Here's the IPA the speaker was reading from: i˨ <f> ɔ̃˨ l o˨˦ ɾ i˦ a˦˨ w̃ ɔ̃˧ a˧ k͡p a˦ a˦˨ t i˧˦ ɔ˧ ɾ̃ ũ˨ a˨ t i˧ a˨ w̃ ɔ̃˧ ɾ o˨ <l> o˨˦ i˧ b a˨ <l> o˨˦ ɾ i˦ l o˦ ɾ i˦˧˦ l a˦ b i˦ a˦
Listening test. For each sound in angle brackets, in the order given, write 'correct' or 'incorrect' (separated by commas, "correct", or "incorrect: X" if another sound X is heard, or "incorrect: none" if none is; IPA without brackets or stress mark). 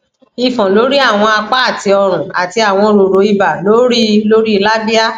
correct, incorrect: ɾ, correct